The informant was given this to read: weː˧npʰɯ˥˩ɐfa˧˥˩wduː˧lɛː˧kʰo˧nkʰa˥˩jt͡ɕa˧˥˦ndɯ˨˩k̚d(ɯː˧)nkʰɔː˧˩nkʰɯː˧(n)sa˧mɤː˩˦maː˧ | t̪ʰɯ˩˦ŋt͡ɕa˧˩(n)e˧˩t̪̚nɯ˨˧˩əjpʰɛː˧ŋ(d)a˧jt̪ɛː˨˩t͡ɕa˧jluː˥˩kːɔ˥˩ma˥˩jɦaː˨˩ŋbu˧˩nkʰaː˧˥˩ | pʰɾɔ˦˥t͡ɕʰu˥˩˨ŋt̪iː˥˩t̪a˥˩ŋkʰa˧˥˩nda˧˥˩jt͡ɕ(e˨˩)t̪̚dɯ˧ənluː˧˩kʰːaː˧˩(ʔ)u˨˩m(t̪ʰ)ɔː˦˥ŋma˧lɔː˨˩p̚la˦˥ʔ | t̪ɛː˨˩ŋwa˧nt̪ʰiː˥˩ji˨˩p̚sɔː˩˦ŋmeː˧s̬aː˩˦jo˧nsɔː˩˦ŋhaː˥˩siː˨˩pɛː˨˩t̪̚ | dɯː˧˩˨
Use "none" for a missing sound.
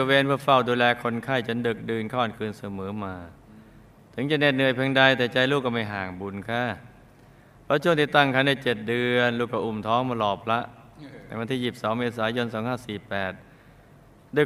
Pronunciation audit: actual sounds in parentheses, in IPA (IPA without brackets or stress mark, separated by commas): ɯː˧, n, n, d, e˨˩, ʔ, t̪ʰ